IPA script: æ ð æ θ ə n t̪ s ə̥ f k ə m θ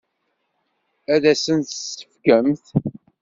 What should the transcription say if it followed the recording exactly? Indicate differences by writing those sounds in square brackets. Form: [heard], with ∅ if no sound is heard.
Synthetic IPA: æ ð æ [s] ə n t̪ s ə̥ f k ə m θ